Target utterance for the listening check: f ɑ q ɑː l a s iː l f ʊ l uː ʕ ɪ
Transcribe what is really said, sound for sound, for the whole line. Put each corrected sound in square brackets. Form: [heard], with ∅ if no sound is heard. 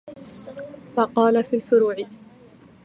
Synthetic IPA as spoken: f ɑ q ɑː l a [f] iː l f ʊ [ɾ] uː ʕ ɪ